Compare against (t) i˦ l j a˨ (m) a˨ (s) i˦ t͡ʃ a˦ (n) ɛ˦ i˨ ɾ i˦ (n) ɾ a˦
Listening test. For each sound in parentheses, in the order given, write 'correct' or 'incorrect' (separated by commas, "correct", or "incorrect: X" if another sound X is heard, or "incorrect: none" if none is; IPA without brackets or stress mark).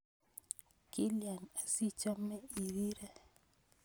incorrect: k, incorrect: n, correct, incorrect: m, incorrect: none